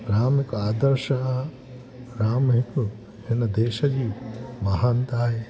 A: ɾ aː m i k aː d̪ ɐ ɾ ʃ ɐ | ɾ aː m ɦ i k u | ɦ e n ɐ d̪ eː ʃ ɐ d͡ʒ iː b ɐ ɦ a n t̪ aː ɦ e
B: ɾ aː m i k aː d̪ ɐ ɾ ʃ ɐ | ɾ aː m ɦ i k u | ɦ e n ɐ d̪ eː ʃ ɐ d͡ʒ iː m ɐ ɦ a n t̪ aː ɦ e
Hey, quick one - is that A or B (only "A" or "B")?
B